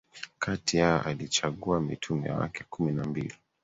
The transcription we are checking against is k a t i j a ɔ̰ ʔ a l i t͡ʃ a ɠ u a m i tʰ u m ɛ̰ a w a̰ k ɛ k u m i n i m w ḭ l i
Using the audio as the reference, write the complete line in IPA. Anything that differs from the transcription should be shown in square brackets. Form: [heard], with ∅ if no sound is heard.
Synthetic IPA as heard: k a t i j a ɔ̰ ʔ a l i t͡ʃ a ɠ u a m i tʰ u m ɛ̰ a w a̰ k ɛ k u m i n [a] m [b] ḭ l i